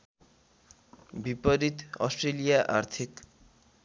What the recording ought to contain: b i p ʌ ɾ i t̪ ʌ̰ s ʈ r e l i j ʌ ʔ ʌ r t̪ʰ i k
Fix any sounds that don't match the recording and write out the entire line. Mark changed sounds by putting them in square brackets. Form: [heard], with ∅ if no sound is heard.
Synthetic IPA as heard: b i p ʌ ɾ i t̪ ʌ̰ s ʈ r e l i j [a] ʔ [a] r t̪ʰ i k